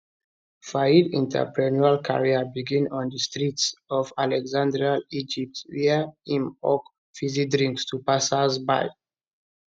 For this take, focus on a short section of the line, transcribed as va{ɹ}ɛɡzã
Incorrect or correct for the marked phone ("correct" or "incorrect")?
incorrect